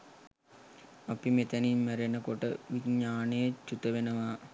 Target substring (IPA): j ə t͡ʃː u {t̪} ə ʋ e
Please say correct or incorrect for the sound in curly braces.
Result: correct